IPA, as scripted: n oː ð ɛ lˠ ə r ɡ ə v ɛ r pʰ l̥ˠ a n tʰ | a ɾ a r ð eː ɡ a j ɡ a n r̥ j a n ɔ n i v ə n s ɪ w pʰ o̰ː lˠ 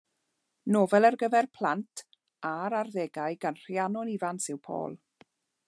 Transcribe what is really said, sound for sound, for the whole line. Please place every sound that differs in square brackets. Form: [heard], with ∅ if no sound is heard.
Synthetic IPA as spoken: n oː [v] ɛ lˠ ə r ɡ ə v ɛ r pʰ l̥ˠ a n tʰ | a ɾ a r ð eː ɡ a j ɡ a n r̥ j a n ɔ n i v [a] n s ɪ w pʰ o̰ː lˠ